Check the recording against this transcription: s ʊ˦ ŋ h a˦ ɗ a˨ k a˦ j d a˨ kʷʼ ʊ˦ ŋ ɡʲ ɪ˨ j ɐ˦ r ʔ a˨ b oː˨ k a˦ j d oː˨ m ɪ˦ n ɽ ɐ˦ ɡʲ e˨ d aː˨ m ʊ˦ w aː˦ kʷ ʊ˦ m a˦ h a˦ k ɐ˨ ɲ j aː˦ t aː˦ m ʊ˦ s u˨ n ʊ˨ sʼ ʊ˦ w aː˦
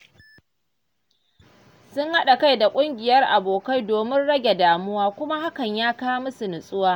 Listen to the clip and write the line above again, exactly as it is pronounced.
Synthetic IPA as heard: s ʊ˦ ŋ h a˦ ɗ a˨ k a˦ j d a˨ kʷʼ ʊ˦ ŋ ɡʲ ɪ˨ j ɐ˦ r ʔ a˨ b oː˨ k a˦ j d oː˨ m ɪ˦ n ɽ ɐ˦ ɡʲ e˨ d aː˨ m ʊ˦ w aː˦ kʷ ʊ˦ m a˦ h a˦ k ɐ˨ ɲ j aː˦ k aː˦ m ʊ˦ s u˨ n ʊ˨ sʼ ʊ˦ w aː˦